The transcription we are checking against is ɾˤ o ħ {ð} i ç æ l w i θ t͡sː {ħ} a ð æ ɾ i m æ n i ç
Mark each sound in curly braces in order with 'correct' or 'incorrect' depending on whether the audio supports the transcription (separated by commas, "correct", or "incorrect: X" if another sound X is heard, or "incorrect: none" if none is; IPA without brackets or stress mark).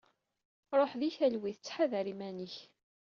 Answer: correct, correct